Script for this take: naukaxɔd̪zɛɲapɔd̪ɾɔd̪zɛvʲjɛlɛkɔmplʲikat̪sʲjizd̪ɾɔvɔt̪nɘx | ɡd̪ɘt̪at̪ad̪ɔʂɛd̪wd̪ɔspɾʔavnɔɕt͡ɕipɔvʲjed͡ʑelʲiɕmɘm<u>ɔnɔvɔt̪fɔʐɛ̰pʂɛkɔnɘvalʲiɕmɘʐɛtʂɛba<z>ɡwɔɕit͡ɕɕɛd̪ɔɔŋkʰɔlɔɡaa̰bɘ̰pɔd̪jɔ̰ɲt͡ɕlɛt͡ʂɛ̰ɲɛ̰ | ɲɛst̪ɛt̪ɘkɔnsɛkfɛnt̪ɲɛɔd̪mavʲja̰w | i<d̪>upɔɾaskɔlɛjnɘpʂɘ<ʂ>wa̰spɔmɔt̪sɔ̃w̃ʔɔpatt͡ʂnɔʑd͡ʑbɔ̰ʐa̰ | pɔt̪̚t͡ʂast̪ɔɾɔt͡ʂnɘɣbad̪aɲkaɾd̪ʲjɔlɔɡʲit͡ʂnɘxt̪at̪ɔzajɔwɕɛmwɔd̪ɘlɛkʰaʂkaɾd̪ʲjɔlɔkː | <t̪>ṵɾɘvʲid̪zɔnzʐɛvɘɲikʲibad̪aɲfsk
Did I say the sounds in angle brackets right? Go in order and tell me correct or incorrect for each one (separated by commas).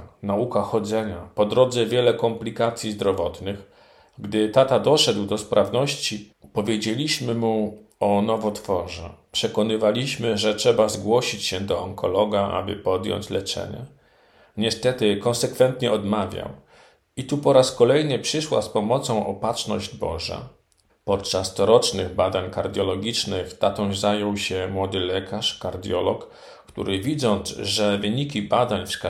correct, correct, incorrect, correct, correct